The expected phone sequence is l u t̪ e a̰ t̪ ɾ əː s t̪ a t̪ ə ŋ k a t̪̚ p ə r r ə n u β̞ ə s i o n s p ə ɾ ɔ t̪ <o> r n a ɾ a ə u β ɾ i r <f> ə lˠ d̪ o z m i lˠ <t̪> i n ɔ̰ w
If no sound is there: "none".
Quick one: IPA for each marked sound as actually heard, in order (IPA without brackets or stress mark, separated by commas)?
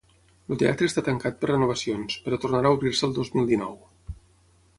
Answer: u, s, d̪